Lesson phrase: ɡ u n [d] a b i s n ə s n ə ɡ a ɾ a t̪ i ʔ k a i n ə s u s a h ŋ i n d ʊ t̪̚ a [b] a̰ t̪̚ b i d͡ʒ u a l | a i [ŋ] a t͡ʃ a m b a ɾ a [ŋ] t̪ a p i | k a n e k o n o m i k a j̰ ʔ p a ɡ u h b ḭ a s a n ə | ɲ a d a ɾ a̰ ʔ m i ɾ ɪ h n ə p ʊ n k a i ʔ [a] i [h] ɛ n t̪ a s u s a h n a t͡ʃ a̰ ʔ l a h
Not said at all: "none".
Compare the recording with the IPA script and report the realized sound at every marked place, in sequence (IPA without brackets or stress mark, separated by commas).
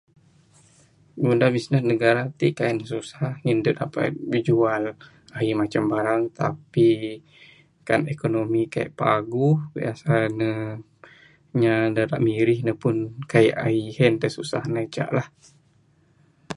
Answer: d, p, m, ŋ, a, h